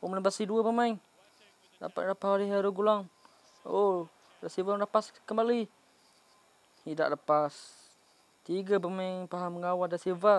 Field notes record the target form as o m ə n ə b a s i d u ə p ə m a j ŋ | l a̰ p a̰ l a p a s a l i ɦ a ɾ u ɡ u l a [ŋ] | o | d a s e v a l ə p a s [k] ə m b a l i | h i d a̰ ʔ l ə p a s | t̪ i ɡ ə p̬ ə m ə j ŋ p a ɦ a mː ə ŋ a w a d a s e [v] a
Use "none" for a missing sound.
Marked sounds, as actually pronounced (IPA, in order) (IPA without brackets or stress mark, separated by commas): ŋ, k, v